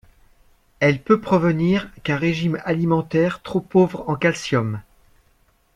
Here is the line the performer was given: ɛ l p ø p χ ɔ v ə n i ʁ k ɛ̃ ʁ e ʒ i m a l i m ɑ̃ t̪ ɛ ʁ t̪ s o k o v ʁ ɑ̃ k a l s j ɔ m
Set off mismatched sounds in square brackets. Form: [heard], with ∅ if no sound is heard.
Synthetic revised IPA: ɛ l p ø p χ ɔ v ə n i ʁ k ɛ̃ ʁ e ʒ i m a l i m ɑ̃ t̪ ɛ ʁ t̪ [χ] o [p] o v ʁ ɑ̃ k a l s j ɔ m